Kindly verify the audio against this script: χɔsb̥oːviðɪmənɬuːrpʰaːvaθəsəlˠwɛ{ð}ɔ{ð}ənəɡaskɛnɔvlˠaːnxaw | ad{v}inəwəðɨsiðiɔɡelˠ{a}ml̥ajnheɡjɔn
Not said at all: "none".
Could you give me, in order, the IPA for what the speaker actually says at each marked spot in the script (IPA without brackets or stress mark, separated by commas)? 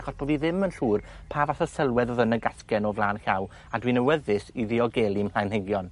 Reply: ð, ð, w, i